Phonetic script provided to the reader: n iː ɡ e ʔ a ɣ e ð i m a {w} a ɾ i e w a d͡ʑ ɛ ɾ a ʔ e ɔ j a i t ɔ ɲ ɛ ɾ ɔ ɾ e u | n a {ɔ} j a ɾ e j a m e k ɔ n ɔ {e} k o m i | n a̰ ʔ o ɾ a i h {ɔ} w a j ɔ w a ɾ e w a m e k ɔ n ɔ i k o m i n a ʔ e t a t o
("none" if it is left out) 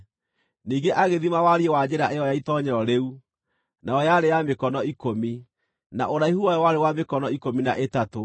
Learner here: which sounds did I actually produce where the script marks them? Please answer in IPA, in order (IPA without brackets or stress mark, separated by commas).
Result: w, ɔ, i, u